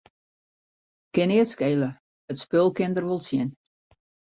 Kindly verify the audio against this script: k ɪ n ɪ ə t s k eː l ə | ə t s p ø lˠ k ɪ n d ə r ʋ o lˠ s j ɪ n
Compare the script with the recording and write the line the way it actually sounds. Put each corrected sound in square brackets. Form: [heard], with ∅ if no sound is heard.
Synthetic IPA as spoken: k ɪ n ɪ ə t s k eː l ə | ə t s p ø lˠ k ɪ n d ə r ʋ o lˠ s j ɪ n